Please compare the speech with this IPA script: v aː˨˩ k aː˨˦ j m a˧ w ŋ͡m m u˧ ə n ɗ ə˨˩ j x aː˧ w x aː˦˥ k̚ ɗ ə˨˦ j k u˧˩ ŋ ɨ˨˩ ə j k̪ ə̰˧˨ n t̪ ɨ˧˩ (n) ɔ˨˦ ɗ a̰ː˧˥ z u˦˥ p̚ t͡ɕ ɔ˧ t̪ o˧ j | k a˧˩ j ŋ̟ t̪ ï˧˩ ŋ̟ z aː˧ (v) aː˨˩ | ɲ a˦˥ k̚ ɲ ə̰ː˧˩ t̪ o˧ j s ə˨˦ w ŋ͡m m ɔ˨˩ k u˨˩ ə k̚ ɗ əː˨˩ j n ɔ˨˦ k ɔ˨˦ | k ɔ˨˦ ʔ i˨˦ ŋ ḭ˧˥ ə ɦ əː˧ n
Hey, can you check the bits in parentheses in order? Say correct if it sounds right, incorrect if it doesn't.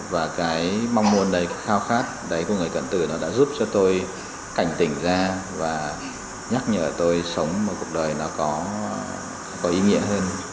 correct, correct

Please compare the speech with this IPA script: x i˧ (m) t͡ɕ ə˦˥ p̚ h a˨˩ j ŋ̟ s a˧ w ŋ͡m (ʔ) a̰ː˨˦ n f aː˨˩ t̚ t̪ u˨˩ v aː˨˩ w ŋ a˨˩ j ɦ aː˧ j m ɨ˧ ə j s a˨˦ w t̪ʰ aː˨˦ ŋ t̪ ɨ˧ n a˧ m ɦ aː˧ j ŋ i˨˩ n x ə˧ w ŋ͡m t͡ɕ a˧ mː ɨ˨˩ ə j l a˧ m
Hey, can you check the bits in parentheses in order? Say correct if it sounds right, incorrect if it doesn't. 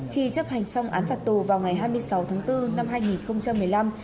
incorrect: none, correct

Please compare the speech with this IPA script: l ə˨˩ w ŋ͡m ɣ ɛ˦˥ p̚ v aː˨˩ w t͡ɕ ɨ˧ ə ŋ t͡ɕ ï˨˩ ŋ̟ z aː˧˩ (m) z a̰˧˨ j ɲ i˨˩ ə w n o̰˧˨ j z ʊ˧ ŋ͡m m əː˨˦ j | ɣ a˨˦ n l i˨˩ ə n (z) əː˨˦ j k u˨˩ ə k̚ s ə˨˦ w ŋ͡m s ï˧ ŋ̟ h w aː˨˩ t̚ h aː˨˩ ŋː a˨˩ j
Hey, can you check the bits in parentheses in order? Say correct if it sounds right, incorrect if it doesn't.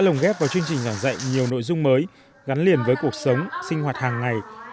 incorrect: ŋ, incorrect: v

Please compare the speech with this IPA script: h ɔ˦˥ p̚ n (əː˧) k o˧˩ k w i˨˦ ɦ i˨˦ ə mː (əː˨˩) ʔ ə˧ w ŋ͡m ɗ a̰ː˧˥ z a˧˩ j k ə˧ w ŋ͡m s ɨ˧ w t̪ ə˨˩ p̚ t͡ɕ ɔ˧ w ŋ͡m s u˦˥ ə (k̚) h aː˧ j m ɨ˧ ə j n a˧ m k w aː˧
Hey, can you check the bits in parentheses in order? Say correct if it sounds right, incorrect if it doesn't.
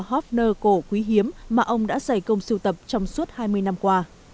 correct, incorrect: aː˨˩, incorrect: t̚

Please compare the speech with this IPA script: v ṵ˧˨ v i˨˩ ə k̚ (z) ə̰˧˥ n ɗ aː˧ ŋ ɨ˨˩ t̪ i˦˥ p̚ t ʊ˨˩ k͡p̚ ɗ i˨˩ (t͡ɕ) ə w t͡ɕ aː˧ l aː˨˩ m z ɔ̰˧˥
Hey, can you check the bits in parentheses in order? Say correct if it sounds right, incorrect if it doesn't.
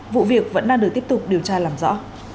incorrect: v, incorrect: none

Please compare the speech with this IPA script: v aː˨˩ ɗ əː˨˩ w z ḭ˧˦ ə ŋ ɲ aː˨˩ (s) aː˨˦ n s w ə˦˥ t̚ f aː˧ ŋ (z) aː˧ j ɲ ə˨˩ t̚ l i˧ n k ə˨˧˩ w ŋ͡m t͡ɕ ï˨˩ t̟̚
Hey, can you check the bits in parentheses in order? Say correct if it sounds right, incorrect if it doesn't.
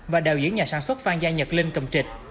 correct, correct

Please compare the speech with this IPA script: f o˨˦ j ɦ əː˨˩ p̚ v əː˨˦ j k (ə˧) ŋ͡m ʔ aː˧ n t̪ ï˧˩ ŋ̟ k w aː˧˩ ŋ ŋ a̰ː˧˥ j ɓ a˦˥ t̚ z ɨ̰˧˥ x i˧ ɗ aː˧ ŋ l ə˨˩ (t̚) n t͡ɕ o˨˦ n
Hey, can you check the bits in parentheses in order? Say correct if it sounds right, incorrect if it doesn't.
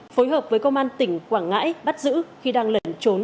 correct, incorrect: none

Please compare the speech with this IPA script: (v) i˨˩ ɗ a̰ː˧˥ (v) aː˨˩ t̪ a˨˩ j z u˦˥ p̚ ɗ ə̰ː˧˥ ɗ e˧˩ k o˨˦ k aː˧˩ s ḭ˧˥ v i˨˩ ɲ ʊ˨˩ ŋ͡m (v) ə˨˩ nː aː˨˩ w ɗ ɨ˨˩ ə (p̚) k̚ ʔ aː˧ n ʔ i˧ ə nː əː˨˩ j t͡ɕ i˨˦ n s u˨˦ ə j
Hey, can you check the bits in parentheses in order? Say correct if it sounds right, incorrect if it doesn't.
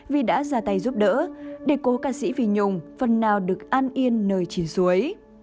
correct, incorrect: z, incorrect: f, incorrect: none

